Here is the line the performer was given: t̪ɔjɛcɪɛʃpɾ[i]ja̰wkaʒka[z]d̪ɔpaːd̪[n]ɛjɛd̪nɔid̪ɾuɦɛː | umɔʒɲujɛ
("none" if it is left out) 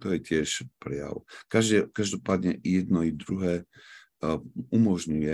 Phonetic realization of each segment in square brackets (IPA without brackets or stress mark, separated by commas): ɛ, ʒ, ɲ